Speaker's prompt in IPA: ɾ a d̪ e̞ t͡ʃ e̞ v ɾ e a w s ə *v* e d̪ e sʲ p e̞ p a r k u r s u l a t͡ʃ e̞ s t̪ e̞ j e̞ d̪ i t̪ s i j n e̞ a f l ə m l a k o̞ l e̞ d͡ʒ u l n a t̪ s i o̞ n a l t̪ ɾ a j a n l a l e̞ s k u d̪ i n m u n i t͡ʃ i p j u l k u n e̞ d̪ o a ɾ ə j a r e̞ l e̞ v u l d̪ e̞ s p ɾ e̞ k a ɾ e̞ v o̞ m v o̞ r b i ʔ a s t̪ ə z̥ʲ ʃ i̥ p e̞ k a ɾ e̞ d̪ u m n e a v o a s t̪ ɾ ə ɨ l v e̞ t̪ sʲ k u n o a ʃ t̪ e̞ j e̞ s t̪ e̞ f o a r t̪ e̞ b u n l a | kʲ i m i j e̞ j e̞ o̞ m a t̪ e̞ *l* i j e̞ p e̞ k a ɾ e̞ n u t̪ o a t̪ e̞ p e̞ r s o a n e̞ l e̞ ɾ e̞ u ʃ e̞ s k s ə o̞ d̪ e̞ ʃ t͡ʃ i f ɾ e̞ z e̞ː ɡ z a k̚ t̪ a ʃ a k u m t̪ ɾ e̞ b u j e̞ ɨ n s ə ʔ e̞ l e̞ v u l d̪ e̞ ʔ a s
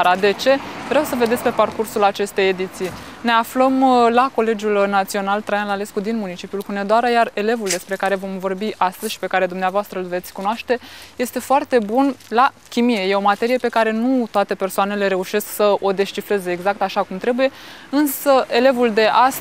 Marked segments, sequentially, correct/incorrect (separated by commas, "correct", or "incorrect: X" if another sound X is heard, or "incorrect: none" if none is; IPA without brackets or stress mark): correct, incorrect: ɾ